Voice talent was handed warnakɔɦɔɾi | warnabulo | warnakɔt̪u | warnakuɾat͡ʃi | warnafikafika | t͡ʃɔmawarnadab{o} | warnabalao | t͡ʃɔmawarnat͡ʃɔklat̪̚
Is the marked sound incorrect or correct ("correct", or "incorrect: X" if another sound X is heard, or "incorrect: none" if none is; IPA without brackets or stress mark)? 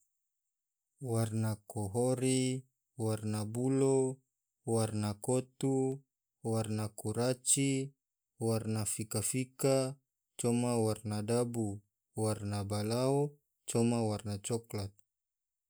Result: incorrect: u